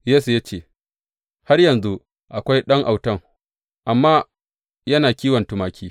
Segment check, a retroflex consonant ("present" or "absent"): absent